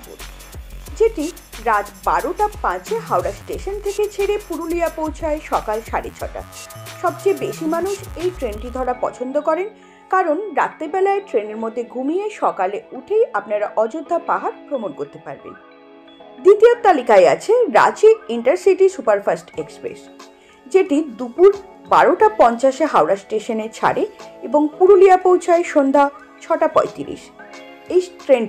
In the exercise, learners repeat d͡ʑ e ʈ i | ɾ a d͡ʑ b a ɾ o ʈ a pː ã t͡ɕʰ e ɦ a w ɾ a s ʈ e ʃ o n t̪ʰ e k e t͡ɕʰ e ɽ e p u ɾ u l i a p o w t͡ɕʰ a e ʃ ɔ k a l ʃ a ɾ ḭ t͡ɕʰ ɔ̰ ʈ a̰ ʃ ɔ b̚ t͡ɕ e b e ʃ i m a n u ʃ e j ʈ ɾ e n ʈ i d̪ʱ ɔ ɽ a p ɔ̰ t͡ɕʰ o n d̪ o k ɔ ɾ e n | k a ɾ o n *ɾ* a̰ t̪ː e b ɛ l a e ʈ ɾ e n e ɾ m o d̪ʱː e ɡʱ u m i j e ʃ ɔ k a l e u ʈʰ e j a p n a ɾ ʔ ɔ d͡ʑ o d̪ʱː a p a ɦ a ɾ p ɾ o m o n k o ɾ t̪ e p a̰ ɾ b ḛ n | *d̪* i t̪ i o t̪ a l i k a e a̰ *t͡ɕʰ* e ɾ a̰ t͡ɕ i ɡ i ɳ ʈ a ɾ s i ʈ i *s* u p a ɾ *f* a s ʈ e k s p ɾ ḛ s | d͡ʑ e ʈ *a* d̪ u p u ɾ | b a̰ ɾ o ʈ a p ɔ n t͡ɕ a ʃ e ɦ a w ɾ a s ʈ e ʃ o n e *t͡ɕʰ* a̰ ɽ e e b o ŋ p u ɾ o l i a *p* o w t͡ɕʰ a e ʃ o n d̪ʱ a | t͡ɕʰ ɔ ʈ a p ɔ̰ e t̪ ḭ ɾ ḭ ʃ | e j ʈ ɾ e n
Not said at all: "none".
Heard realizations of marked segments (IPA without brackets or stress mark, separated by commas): ɾ, d̪, t͡ɕʰ, s, f, i, t͡ɕʰ, p